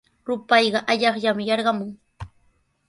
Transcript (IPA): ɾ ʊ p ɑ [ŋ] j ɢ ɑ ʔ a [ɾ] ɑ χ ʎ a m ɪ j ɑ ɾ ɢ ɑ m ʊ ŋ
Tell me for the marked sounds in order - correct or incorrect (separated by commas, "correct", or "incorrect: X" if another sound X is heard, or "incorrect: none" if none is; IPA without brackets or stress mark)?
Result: incorrect: none, incorrect: ʎ